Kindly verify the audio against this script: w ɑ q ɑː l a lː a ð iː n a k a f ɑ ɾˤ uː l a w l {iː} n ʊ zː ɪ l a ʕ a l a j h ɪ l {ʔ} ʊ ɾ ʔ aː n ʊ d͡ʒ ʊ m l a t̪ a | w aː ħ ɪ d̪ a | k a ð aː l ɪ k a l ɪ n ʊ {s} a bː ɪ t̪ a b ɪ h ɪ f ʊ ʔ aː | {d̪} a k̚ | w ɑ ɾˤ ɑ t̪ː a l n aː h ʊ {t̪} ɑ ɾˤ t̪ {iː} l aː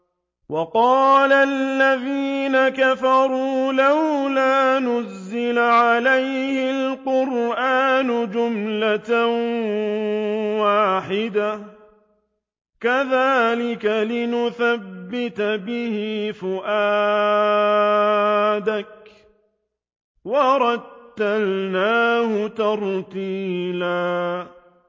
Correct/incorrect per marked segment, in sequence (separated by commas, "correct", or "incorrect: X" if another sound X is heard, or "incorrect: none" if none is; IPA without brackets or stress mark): incorrect: aː, incorrect: q, incorrect: θ, correct, correct, correct